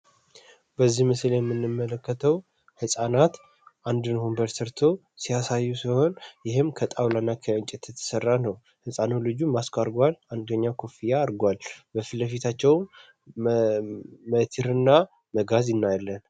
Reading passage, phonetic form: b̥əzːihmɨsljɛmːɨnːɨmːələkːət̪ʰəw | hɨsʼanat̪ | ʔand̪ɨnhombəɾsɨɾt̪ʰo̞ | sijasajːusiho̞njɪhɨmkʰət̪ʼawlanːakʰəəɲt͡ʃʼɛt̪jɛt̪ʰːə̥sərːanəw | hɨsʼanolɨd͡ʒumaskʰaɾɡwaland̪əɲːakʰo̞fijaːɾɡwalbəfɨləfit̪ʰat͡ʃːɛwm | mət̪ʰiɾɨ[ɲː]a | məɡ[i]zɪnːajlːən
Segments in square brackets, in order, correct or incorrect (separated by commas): incorrect, incorrect